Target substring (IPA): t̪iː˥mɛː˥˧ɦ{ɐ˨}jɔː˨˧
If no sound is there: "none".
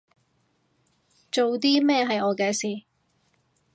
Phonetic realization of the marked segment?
ɐ˨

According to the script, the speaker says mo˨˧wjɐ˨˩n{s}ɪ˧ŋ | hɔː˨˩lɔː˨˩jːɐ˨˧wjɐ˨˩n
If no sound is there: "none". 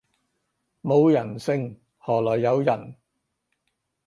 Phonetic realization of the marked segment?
s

